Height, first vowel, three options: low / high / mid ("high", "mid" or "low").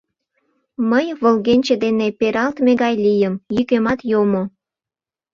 mid